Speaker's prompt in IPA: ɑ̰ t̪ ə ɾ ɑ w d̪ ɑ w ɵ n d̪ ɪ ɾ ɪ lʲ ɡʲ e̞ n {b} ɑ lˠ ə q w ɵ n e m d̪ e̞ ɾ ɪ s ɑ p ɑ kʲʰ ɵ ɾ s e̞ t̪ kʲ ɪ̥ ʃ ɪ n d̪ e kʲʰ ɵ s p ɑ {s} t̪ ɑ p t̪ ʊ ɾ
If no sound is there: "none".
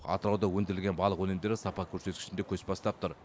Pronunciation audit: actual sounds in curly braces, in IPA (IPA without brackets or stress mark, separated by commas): b, s